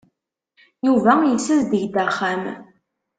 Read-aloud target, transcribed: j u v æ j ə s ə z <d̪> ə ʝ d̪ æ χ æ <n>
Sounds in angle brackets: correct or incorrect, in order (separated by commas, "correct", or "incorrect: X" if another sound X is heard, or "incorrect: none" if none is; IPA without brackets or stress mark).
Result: correct, incorrect: m